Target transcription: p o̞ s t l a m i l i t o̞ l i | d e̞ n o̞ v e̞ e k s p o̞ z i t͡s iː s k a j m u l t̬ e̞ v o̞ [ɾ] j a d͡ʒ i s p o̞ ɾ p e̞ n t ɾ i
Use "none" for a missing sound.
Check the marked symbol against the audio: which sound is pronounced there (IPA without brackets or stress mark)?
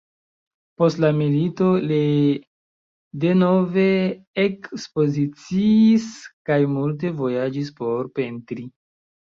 none